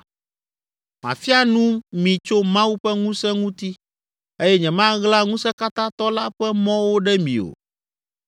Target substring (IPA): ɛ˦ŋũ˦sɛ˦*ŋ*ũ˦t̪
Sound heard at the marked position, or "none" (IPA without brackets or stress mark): ŋ